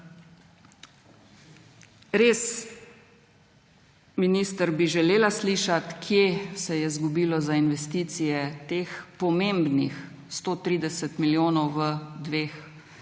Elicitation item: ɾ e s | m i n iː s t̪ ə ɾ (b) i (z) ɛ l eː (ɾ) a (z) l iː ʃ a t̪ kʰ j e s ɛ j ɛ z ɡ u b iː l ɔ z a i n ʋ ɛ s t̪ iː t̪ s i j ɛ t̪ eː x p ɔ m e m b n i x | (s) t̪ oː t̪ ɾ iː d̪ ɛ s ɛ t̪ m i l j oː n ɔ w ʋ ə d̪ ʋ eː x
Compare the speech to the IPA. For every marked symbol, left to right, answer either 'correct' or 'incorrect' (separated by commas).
correct, incorrect, incorrect, incorrect, correct